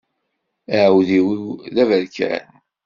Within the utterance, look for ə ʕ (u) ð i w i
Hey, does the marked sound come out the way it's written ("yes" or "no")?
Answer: no